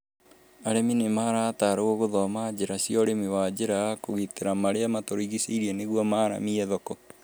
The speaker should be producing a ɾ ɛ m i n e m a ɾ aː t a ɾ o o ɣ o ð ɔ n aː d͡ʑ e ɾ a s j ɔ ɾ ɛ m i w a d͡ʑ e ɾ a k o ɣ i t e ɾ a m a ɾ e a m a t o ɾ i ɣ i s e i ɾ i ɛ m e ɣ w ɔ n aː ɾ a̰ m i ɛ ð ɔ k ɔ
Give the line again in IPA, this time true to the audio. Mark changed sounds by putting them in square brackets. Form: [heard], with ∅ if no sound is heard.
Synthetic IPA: a ɾ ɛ m i n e m a ɾ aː t a ɾ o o ɣ o ð ɔ [m] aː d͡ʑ e ɾ a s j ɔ ɾ [e] m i w a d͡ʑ e ɾ a k o ɣ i t e ɾ a m a ɾ e a m a t o ɾ i ɣ i s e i ɾ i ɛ [n] e ɣ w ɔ [m] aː ɾ a̰ m i ɛ ð ɔ k ɔ